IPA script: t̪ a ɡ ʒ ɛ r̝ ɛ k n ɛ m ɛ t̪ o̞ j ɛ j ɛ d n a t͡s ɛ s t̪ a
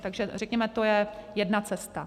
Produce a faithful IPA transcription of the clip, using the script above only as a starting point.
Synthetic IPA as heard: t̪ a ɡ ʒ ɛ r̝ ɛ k ɲ ɛ m ɛ t̪ o̞ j ɛ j ɛ d n a t͡s ɛ s t̪ a